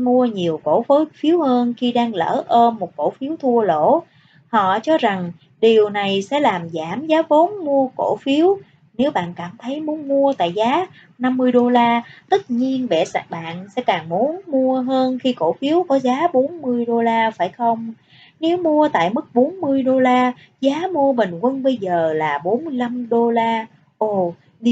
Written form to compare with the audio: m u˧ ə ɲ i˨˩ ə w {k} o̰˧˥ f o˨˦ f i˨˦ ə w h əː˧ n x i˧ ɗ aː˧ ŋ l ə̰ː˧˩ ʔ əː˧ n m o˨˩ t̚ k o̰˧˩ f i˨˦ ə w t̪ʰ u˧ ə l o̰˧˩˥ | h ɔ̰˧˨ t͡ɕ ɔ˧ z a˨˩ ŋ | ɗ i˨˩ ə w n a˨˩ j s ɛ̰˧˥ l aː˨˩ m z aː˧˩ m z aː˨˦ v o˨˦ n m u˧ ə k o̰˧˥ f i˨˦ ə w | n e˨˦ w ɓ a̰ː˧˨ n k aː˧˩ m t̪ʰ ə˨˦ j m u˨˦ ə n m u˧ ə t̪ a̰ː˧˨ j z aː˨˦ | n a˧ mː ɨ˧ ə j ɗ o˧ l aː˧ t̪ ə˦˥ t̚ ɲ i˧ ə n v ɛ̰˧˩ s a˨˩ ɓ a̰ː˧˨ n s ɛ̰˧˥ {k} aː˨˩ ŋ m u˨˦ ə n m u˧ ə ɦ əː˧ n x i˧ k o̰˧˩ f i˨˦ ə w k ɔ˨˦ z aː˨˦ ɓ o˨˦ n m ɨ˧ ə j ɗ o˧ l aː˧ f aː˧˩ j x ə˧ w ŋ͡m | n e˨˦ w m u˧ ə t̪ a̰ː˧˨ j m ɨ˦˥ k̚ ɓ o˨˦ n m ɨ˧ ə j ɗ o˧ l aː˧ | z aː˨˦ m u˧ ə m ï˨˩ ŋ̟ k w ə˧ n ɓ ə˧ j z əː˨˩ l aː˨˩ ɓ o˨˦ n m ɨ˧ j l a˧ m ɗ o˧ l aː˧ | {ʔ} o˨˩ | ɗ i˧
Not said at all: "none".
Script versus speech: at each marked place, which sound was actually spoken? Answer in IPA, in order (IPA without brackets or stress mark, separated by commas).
k, k, ʔ